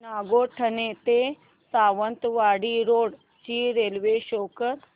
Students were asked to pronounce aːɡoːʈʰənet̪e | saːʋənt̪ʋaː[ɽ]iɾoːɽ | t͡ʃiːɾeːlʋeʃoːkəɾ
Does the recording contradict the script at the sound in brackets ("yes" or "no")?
no